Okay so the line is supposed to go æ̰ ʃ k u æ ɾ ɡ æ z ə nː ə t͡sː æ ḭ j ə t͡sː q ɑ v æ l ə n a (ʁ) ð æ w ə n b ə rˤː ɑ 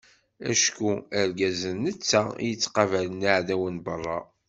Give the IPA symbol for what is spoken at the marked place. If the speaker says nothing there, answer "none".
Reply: ʕ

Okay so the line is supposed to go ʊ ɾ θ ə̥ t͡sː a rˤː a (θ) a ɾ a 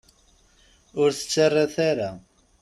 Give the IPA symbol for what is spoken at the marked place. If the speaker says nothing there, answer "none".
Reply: θ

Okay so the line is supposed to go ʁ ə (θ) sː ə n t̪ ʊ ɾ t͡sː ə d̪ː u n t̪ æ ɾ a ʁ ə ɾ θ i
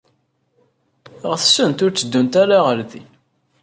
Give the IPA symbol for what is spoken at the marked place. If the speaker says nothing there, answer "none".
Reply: θ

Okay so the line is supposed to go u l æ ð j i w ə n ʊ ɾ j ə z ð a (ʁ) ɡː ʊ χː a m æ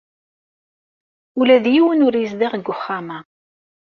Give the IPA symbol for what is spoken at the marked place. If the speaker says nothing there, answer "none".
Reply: ʁ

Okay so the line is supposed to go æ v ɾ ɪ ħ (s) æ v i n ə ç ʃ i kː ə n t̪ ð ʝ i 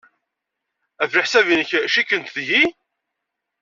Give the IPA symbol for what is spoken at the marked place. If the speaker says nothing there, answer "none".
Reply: s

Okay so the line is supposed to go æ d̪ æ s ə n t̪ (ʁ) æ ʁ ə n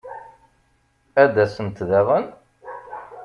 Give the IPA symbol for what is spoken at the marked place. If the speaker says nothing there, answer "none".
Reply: ð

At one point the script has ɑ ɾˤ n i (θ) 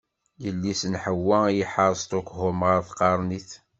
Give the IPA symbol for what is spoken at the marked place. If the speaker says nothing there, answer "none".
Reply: θ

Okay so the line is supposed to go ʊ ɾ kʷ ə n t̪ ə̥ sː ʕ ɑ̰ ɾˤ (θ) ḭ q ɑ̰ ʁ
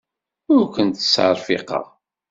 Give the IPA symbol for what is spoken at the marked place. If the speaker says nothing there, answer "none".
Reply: f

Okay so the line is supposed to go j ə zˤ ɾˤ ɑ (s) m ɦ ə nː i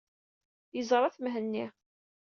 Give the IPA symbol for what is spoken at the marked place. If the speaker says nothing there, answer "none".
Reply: θ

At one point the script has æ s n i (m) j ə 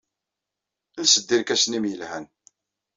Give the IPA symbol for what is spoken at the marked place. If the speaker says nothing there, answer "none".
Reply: m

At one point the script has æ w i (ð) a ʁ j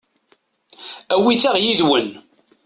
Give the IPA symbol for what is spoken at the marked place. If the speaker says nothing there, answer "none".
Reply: θ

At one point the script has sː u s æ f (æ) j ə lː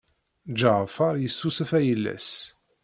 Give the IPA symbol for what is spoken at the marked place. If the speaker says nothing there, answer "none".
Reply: æ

